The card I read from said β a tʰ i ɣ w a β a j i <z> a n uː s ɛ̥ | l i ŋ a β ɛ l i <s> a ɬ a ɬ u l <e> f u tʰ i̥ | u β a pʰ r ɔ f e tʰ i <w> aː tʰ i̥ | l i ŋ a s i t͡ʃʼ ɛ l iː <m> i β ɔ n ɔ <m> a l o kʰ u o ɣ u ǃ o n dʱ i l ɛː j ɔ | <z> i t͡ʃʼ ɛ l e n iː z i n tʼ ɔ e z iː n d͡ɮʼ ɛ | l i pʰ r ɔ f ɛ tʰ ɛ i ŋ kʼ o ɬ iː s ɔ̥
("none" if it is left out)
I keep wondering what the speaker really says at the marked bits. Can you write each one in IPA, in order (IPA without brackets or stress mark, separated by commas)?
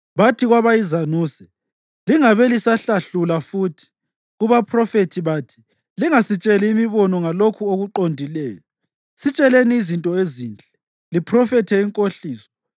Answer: z, s, a, β, m, ŋ, s